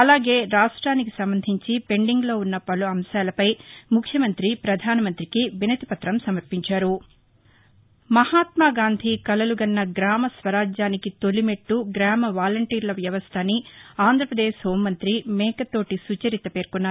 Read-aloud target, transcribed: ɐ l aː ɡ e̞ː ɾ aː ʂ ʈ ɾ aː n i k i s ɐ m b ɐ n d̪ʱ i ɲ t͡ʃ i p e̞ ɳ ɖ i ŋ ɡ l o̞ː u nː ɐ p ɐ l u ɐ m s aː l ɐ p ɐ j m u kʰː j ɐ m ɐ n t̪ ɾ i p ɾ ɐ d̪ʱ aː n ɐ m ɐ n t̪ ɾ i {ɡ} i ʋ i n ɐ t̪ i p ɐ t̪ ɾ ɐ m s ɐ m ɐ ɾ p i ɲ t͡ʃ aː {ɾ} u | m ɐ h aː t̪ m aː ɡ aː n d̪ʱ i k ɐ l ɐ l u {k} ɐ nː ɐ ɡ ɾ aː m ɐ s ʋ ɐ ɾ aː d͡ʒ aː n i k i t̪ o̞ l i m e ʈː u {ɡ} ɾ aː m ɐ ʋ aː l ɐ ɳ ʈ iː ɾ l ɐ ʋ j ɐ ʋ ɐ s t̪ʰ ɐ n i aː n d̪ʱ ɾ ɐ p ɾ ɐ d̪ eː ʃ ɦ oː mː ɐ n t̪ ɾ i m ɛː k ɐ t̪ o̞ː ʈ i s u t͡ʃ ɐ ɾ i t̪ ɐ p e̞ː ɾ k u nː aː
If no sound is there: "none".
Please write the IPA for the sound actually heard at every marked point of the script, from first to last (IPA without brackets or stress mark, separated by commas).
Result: k, ɾ, ɡ, ɡ